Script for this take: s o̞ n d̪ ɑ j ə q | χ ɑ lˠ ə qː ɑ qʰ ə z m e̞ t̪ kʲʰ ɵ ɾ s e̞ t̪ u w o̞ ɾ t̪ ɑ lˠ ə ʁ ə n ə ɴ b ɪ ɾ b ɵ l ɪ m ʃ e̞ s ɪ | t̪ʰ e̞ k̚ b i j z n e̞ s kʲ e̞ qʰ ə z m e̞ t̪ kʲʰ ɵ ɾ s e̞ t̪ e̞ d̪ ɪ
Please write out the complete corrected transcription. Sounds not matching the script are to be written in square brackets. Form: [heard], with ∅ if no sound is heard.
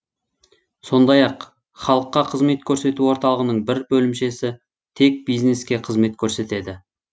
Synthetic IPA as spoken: s o̞ n d̪ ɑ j [ɑ] q | χ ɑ lˠ ə qː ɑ qʰ ə z m e̞ t̪ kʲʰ ɵ ɾ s e̞ t̪ u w o̞ ɾ t̪ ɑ lˠ ə ʁ ə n ə ɴ b ɪ ɾ b ɵ l ɪ m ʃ e̞ s ɪ | t̪ʰ e̞ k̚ b i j z n e̞ s kʲ e̞ qʰ ə z m e̞ t̪ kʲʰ ɵ ɾ s e̞ t̪ e̞ d̪ ɪ

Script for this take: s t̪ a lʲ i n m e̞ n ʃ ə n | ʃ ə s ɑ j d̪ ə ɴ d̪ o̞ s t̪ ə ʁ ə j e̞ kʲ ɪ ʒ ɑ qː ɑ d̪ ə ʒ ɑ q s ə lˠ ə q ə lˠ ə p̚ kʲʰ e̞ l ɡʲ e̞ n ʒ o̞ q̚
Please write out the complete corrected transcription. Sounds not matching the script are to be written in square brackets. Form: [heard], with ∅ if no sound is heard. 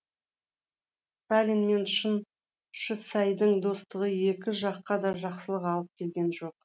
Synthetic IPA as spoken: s t̪ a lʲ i n m e̞ n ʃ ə n | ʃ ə s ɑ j d̪ ə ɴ d̪ o̞ s t̪ ə ʁ ə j e̞ kʲ ɪ ʒ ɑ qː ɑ d̪ [ɑ] ʒ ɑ q s ə lˠ ə q [ɑ] lˠ ə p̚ kʲʰ e̞ l ɡʲ e̞ n ʒ o̞ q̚

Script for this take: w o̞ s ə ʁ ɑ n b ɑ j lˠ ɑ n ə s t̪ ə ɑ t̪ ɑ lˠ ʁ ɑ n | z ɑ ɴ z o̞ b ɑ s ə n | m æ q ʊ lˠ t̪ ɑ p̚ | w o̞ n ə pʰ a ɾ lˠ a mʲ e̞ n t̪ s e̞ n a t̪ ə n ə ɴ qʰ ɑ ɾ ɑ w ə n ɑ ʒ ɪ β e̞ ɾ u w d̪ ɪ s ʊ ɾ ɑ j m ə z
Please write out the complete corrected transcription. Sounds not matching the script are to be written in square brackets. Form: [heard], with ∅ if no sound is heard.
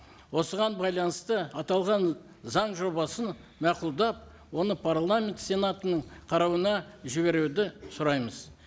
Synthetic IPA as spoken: w o̞ s ə ʁ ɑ n b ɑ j lˠ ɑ n ə s t̪ ə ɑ t̪ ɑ lˠ ʁ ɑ n | z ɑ ɴ [ʒ] o̞ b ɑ s ə n | m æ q ʊ lˠ [d̪] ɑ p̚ | w o̞ n ə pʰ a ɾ lˠ a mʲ e̞ n t̪ s e̞ n a t̪ ə n ə ɴ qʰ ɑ ɾ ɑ w ə n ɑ ʒ ɪ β e̞ ɾ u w d̪ ɪ s ʊ ɾ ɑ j m ə z

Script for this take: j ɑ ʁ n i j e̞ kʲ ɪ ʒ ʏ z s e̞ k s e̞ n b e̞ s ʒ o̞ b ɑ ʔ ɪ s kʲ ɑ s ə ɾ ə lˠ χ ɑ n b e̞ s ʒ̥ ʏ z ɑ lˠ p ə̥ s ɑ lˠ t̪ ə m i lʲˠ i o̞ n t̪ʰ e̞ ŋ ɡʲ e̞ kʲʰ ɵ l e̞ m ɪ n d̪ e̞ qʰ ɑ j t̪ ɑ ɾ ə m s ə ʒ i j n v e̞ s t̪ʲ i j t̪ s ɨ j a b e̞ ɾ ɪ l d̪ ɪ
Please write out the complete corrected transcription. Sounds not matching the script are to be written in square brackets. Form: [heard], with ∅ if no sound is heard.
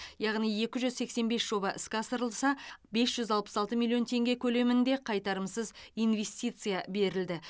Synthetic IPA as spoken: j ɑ ʁ n i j e̞ kʲ ɪ ʒ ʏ z s e̞ k s e̞ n b e̞ s ʒ o̞ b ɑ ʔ ɪ s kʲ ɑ s ə ɾ ə lˠ [s] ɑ [∅] b e̞ s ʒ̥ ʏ z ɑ lˠ p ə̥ s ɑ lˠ t̪ ə m i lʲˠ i o̞ n t̪ʰ e̞ ŋ ɡʲ e̞ kʲʰ ɵ l e̞ m ɪ n d̪ e̞ qʰ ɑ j t̪ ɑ ɾ ə m s ə [z] i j n v e̞ s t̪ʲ i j t̪ s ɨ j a b e̞ ɾ ɪ l d̪ ɪ

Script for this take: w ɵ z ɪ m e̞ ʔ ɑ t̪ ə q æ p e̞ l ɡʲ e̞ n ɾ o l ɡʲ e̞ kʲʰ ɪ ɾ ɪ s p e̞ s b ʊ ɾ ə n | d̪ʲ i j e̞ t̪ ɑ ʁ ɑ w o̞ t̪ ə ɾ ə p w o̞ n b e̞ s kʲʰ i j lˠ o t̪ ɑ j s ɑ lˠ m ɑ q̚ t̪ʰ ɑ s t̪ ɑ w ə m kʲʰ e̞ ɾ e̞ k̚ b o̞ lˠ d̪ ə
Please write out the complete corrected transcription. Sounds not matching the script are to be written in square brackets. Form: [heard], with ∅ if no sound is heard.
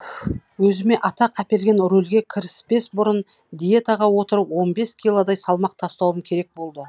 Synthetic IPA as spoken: w ɵ z ɪ m e̞ ʔ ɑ t̪ [ɑ] q æ p e̞ l ɡʲ e̞ n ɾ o l ɡʲ e̞ kʲʰ ɪ ɾ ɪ s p e̞ s b ʊ ɾ ə n | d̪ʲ i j e̞ t̪ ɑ ʁ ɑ w o̞ t̪ ə ɾ ə p w o̞ n b e̞ s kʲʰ i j lˠ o [d̪] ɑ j s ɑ lˠ m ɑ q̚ t̪ʰ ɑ s t̪ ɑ w ə m kʲʰ e̞ ɾ e̞ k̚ b o̞ lˠ d̪ ə

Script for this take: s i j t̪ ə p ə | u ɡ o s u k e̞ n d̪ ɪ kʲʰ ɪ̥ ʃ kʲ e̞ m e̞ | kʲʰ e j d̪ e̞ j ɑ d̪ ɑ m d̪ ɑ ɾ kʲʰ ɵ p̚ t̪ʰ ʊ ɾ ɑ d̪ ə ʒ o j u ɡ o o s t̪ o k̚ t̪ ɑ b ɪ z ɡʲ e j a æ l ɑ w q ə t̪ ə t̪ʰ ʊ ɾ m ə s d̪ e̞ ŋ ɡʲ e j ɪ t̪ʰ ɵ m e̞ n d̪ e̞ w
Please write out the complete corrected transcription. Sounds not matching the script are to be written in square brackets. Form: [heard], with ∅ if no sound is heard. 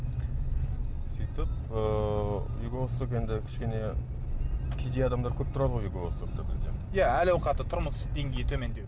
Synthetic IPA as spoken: s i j t̪ ə p ə | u ɡ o s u k e̞ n d̪ ɪ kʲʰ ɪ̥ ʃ kʲ e̞ [n] e̞ | kʲʰ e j d̪ e̞ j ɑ d̪ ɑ m d̪ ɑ ɾ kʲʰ ɵ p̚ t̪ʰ ʊ ɾ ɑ d̪ ə [ʁ] o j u ɡ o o s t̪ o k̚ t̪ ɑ b ɪ z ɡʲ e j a æ l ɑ w q [ɑ] t̪ ə t̪ʰ ʊ ɾ m ə s d̪ e̞ ŋ ɡʲ e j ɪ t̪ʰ ɵ m e̞ n d̪ e̞ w

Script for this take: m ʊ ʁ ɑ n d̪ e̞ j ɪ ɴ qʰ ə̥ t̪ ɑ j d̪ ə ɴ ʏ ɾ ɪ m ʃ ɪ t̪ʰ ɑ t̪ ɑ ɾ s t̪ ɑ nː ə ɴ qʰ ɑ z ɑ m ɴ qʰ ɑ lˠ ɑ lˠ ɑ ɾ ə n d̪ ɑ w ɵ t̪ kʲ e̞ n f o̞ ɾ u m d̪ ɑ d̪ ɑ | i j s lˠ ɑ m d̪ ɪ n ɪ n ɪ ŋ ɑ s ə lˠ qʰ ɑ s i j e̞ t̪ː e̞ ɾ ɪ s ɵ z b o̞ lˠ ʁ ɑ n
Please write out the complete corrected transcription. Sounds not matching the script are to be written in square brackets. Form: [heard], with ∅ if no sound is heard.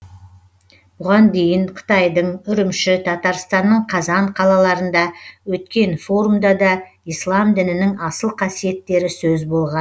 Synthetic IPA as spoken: [b] ʊ ʁ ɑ n d̪ e̞ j ɪ ɴ qʰ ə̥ t̪ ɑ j d̪ ə ɴ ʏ ɾ ɪ m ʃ ɪ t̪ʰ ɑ t̪ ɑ ɾ s t̪ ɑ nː ə ɴ qʰ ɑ z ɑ [∅] ɴ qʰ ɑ lˠ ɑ lˠ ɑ ɾ ə n d̪ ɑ w ɵ t̪ kʲ e̞ n f o̞ ɾ u m d̪ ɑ d̪ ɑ | i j s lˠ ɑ m d̪ ɪ n ɪ n ɪ ŋ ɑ s ə lˠ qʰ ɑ s i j e̞ t̪ː e̞ ɾ ɪ s ɵ z b o̞ lˠ ʁ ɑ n

